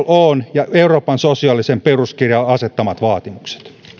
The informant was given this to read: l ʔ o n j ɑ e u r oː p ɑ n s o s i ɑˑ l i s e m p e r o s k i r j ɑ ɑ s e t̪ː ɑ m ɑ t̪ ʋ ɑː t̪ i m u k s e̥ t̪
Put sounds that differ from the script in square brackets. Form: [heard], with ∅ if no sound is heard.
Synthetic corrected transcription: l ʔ o n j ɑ e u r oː p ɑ n s o s i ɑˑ l i s e m p e r [u] s k i r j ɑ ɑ s e t̪ː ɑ m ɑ t̪ ʋ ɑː t̪ i m u k s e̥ t̪